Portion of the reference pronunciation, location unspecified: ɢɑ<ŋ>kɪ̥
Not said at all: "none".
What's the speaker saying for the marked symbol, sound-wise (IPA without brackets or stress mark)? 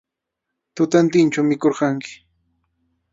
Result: ŋ